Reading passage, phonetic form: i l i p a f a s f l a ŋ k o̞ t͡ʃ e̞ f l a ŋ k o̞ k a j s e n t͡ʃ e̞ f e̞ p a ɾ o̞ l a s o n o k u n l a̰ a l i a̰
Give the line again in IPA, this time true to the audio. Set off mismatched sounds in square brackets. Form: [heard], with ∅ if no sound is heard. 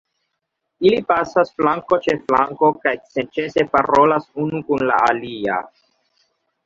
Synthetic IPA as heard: i l i p a [s] a s f l a ŋ k o̞ t͡ʃ e̞ f l a ŋ k o̞ k a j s e n t͡ʃ e̞ [s] e̞ p a ɾ o̞ l a s [u] n [u] k u n l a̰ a l i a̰